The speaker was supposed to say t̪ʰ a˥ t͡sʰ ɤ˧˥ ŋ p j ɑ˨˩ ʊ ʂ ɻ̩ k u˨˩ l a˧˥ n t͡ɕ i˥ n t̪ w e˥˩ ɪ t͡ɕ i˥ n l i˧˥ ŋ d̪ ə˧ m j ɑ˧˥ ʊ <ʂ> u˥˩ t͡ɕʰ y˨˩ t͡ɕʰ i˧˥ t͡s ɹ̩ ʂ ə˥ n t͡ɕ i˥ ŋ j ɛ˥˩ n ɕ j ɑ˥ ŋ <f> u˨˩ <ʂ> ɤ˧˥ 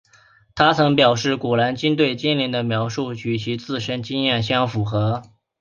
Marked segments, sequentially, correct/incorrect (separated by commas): correct, correct, incorrect